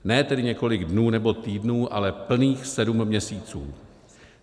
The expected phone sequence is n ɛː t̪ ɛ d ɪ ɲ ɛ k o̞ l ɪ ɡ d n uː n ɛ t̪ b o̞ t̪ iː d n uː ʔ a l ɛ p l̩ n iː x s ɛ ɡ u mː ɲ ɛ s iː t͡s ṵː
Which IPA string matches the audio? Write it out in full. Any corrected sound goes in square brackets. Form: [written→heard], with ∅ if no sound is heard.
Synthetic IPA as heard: n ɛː t̪ ɛ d ɪ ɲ ɛ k o̞ l ɪ ɡ d n uː n ɛ [t̪→∅] b o̞ t̪ iː d n uː ʔ a l ɛ p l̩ n iː x s ɛ [ɡ→d] u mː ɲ ɛ s iː t͡s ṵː

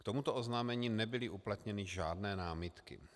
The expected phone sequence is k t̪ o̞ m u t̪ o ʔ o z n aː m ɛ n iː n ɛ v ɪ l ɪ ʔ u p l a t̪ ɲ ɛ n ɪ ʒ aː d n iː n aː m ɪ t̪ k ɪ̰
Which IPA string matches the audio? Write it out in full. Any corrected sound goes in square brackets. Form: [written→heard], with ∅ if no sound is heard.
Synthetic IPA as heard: k t̪ o̞ m u t̪ o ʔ o z n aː m ɛ [n→ɲ] iː n ɛ [v→b] ɪ l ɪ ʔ u p l a t̪ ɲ ɛ n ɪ ʒ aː d n [iː→ɛː] n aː m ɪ t̪ k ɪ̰

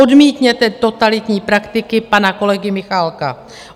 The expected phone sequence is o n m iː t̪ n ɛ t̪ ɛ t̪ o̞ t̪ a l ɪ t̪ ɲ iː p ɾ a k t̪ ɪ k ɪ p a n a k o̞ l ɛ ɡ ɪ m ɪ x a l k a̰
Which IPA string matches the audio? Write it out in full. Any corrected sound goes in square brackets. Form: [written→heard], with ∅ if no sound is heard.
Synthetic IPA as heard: o [n→d] m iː t̪ [n→ɲ] ɛ t̪ ɛ t̪ o̞ t̪ a l ɪ t̪ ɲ iː p ɾ a k t̪ ɪ k ɪ p a n a k o̞ l ɛ ɡ ɪ m ɪ x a l k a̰

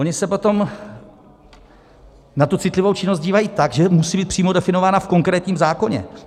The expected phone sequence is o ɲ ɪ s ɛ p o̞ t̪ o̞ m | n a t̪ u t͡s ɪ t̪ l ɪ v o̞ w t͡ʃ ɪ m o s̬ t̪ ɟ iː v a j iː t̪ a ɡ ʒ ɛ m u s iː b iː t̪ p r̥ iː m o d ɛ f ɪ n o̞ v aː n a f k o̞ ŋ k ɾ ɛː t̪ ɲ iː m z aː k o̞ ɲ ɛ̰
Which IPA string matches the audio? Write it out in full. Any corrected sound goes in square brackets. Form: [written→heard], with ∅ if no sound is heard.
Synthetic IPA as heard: o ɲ ɪ s ɛ p o̞ t̪ o̞ m | n a t̪ u t͡s ɪ t̪ l ɪ v o̞ w t͡ʃ ɪ [m→n] o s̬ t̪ ɟ iː v a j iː t̪ a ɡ ʒ ɛ m u s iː b iː t̪ p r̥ iː m o d ɛ f ɪ n o̞ v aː n a f k o̞ ŋ k ɾ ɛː t̪ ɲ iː m z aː k o̞ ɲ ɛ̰

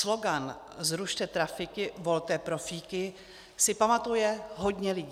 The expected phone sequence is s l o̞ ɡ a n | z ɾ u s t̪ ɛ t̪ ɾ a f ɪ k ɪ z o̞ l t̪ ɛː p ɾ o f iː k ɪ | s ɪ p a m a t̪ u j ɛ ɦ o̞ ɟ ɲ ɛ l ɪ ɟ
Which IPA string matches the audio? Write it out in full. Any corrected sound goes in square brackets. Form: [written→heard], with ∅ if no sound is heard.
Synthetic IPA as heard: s l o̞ ɡ a n | z ɾ u [s→ʃ] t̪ ɛ t̪ ɾ a f ɪ k ɪ [z→v] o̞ l t̪ ɛː p ɾ o f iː k ɪ | s ɪ p a m a t̪ u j ɛ ɦ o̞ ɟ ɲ ɛ l ɪ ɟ

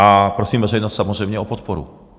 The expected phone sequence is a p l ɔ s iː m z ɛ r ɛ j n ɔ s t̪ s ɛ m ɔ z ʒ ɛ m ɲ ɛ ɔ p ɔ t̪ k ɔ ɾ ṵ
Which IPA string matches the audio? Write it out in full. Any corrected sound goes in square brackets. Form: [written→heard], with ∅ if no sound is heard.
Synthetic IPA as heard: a p [l→ɾ] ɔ s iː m [z→v] ɛ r ɛ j n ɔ s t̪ s [ɛ→a] m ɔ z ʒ ɛ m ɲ ɛ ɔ p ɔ t̪ [k→p] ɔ ɾ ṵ

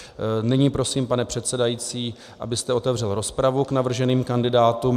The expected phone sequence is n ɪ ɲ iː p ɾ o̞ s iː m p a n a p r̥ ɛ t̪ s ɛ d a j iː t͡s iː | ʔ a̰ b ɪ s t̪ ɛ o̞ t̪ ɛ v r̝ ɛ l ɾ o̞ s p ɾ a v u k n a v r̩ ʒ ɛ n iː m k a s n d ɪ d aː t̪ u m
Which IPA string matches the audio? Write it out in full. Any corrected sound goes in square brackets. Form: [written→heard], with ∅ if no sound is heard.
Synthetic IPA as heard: n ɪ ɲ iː p ɾ o̞ s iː m p a n [a→ɛ] p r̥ ɛ t̪ s ɛ d a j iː t͡s iː | ʔ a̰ b ɪ s t̪ ɛ o̞ t̪ ɛ v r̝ ɛ l ɾ o̞ s p ɾ a v u k n a v r̩ ʒ ɛ n iː m k a [s→∅] n d ɪ d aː t̪ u m

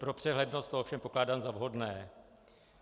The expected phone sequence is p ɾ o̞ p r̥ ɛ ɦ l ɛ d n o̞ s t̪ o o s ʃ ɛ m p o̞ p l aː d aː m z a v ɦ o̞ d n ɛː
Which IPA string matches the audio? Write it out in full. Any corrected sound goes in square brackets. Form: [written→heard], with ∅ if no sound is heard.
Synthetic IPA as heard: p ɾ o̞ p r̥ ɛ ɦ l ɛ d n o̞ s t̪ o o [s→f] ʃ ɛ m p o̞ [p→k] l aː d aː m z a v ɦ o̞ d n ɛː

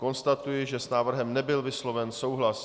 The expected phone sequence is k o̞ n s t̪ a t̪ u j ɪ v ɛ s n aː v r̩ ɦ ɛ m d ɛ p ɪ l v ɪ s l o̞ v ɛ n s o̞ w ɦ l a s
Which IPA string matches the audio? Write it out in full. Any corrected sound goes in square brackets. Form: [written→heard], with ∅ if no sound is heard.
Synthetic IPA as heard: k o̞ n s t̪ a t̪ u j ɪ [v→ʒ] ɛ s n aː v r̩ ɦ ɛ m [d→n] ɛ [p→b] ɪ l v ɪ s l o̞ v ɛ n s o̞ w ɦ l a s

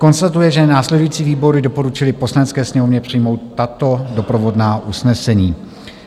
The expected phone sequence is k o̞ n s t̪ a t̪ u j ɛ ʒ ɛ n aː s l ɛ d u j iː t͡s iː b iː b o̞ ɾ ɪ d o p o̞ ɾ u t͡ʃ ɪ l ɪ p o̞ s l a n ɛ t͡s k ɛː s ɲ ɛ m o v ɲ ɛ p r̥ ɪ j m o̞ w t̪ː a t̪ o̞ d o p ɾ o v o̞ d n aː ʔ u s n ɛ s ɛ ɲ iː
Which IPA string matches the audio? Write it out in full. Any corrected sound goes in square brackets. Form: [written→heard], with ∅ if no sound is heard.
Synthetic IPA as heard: k o̞ n s t̪ a t̪ u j ɛ ʒ ɛ n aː s l ɛ d u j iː t͡s iː [b→v] iː b o̞ ɾ ɪ d o p o̞ ɾ u t͡ʃ ɪ l ɪ p o̞ s l a n ɛ t͡s k ɛː s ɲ ɛ m o v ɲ ɛ p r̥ ɪ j m o̞ w t̪ː a t̪ o̞ d o p ɾ o v o̞ d n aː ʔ u s n ɛ s ɛ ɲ iː

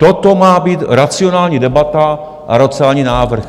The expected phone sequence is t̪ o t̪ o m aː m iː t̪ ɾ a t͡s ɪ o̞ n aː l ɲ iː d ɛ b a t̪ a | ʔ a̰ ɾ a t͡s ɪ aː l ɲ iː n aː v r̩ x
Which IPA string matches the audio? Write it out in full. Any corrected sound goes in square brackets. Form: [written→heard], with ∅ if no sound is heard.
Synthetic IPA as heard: t̪ o t̪ o m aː [m→b] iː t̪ ɾ a t͡s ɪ o̞ n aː l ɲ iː d ɛ b a t̪ a | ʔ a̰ ɾ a t͡s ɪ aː l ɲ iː n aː v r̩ x

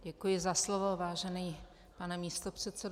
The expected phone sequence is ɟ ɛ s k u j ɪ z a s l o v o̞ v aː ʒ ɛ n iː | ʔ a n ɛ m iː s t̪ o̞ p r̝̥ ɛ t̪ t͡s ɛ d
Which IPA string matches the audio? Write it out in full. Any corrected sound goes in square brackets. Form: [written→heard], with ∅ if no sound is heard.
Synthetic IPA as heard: ɟ ɛ [s→∅] k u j ɪ z a s l o v o̞ v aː ʒ ɛ n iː | [ʔ→p] a n ɛ m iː s t̪ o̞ p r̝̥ ɛ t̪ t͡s ɛ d

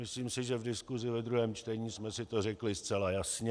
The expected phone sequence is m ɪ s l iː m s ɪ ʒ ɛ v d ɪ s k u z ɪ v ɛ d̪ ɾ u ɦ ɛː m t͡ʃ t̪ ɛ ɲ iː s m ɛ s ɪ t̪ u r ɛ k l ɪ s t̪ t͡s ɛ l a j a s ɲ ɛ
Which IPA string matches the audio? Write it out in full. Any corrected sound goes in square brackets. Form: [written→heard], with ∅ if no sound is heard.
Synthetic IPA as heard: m ɪ s l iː m s ɪ ʒ ɛ v d ɪ s k u z ɪ v ɛ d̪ ɾ u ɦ ɛː m t͡ʃ t̪ ɛ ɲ iː s m ɛ s ɪ t̪ [u→o] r ɛ k l ɪ s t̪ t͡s ɛ l a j a s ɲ ɛ

